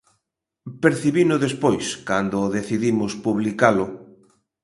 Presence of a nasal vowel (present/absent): absent